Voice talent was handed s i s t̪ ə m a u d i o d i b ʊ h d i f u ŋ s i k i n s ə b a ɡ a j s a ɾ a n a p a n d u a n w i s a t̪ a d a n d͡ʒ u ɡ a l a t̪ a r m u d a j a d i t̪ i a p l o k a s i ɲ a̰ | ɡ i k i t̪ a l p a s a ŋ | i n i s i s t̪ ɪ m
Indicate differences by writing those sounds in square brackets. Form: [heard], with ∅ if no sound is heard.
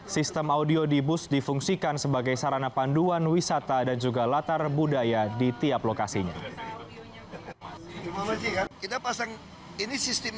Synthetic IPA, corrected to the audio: s i s t̪ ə m a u d i o d i b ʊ [s] d i f u ŋ s i k [a] n s ə b a ɡ a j s a ɾ a n a p a n d u a n w i s a t̪ a d a n d͡ʒ u ɡ a l a t̪ a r [b] u d a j a d i t̪ i a p l o k a s i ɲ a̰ | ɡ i k i t̪ a [∅] p a s a ŋ | i n i s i s t̪ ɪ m